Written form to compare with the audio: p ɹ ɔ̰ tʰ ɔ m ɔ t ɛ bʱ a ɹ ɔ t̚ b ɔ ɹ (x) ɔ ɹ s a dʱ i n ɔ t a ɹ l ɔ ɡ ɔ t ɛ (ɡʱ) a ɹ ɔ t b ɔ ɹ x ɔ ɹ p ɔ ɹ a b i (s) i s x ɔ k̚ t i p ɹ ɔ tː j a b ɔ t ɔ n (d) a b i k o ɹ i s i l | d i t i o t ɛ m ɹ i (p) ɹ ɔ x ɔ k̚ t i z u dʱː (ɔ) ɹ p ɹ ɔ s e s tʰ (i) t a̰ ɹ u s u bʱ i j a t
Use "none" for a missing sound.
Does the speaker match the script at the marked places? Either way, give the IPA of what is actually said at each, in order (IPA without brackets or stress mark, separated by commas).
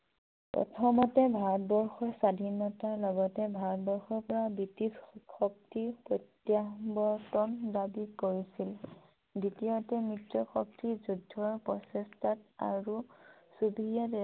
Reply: x, bʱ, t, d, t, ɔ, a